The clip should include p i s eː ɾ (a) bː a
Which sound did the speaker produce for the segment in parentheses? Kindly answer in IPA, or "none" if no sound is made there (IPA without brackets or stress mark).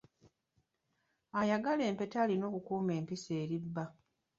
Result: i